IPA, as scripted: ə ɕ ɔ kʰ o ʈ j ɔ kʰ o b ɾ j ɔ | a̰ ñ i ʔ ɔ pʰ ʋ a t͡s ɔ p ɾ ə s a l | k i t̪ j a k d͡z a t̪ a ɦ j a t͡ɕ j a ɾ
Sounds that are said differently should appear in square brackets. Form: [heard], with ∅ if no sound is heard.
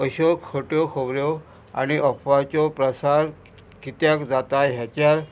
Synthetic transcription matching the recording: ə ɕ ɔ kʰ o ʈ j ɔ kʰ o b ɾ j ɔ | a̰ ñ i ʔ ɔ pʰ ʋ a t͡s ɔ p ɾ ə s a [ɾ] | k i t̪ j a k d͡z a t̪ a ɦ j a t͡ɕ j a ɾ